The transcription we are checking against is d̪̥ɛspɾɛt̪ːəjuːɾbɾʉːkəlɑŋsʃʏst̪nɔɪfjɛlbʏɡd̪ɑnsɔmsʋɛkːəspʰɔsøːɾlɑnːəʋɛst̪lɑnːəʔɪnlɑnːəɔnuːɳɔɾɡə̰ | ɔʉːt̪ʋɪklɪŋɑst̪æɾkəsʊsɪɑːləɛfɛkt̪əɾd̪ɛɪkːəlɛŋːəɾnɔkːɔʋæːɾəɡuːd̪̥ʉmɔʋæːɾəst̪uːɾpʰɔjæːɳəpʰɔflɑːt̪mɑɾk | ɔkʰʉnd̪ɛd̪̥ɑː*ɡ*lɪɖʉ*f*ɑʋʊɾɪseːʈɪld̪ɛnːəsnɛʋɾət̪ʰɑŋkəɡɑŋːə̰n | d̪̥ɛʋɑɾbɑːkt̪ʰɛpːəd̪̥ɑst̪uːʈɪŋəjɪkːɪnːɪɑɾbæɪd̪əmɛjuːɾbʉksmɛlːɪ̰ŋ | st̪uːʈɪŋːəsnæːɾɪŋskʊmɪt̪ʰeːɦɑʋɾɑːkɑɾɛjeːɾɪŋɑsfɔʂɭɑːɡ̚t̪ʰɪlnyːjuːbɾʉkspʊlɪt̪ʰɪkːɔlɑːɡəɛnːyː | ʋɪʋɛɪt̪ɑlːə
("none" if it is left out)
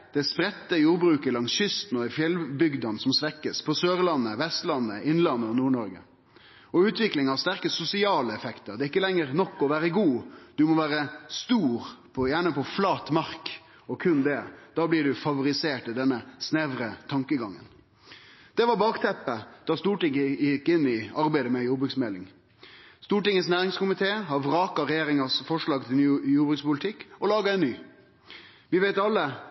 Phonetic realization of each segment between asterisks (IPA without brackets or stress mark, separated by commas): b, f